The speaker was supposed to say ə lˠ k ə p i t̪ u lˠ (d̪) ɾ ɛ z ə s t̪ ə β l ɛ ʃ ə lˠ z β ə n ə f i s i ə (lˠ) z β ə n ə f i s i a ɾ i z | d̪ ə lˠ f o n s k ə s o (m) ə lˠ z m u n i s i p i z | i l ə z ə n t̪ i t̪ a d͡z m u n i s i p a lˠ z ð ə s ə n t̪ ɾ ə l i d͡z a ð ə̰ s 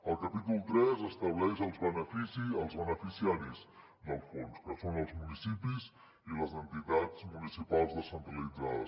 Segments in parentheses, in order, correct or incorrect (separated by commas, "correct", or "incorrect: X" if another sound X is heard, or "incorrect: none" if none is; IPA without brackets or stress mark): incorrect: t̪, correct, incorrect: n